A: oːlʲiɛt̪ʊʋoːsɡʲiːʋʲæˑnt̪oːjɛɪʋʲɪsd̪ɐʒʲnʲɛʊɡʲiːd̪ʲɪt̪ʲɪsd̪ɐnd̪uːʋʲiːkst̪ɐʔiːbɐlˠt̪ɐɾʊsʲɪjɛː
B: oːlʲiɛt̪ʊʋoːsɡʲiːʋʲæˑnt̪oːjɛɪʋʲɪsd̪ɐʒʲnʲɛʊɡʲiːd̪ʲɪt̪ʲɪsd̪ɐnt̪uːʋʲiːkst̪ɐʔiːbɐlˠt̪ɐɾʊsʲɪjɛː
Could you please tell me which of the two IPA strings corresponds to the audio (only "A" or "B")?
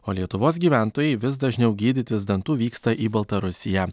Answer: B